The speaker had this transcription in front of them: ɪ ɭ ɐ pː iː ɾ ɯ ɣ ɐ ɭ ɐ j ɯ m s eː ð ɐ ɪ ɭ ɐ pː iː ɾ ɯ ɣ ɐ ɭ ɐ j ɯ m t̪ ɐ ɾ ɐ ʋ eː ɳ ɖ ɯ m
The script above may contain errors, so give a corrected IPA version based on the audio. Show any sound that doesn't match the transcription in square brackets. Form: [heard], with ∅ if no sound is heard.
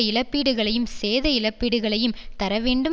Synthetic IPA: ɪ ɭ ɐ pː iː [ɽ] ɯ ɣ ɐ ɭ ɐ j ɯ m s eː ð ɐ ɪ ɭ ɐ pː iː [ɽ] ɯ ɣ ɐ ɭ ɐ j ɯ m t̪ ɐ ɾ ɐ ʋ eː ɳ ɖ ɯ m

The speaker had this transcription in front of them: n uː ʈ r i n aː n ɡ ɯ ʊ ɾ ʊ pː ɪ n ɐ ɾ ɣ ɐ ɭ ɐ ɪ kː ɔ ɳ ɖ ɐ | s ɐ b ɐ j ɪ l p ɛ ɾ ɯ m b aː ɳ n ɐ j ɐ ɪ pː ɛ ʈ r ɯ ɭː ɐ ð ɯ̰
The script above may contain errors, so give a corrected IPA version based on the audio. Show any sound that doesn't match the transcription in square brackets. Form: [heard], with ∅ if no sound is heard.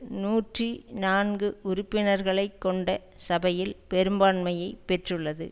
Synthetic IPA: n uː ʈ r i n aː n ɡ ɯ ʊ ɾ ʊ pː ɪ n ɐ ɾ ɣ ɐ ɭ ɐ ɪ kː ɔ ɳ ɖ ɐ | s ɐ b ɐ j ɪ l p ɛ ɾ ɯ m b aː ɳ [m] ɐ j ɐ ɪ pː ɛ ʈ r ɯ ɭː ɐ ð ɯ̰

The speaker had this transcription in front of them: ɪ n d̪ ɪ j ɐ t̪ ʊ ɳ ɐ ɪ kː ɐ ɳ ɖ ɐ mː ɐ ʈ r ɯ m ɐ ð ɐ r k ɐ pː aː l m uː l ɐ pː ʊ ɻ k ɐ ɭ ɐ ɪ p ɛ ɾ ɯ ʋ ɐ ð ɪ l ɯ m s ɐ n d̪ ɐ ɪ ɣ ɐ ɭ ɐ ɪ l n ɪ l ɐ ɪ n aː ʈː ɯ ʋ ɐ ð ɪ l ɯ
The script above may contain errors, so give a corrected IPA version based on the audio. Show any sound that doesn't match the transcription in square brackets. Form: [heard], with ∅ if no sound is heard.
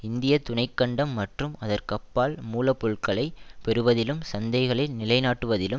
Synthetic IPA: ɪ n d̪ ɪ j ɐ t̪ ʊ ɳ ɐ ɪ kː ɐ ɳ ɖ ɐ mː ɐ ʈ r ɯ m ɐ ð ɐ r k ɐ pː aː l m uː l ɐ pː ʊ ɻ k ɐ ɭ ɐ ɪ p ɛ ɾ ɯ ʋ ɐ ð ɪ l ɯ m s ɐ n d̪ ɐ ɪ ɣ ɐ ɭ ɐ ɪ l n ɪ l ɐ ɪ n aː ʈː ɯ ʋ ɐ ð ɪ l ɯ

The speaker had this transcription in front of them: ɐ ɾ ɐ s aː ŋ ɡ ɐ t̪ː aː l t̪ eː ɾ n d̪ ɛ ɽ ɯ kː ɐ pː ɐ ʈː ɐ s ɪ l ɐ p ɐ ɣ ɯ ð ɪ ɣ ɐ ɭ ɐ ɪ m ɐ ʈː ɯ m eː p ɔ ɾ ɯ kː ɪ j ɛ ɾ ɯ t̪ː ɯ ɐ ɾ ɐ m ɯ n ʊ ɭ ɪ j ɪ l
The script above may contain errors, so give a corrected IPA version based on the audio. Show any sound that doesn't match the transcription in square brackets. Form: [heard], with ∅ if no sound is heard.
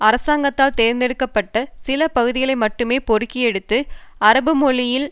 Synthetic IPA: ɐ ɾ ɐ s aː ŋ ɡ ɐ t̪ː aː l t̪ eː ɾ n d̪ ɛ ɽ ɯ kː ɐ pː ɐ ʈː ɐ s ɪ l ɐ p ɐ ɣ ɯ ð ɪ ɣ ɐ ɭ ɐ ɪ m ɐ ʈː ɯ m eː p ɔ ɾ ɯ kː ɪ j ɛ [ɽ] ɯ t̪ː ɯ ɐ ɾ ɐ [b] ɯ [m] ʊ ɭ ɪ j ɪ l

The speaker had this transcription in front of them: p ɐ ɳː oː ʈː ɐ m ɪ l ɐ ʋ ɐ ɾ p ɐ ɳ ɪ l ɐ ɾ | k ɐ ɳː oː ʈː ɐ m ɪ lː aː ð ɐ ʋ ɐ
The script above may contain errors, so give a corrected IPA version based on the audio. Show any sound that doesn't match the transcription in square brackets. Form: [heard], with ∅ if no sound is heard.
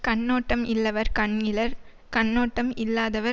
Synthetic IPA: [k] ɐ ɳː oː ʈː ɐ m ɪ [lː] ɐ ʋ ɐ ɾ [k] ɐ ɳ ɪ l ɐ ɾ | k ɐ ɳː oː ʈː ɐ m ɪ lː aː ð ɐ ʋ ɐ

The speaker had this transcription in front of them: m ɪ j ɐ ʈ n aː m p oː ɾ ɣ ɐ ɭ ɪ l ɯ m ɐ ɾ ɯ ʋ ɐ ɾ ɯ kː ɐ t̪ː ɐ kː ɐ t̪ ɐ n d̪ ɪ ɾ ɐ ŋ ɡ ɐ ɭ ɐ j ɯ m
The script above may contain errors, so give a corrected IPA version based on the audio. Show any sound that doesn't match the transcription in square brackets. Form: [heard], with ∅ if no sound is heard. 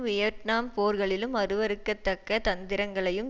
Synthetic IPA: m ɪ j ɐ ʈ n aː m p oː ɾ ɣ ɐ ɭ ɪ l ɯ m ɐ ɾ ɯ ʋ ɐ ɾ ɯ kː ɐ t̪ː ɐ kː ɐ t̪ ɐ n d̪ ɪ ɾ ɐ ŋ ɡ ɐ ɭ ɐ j ɯ m

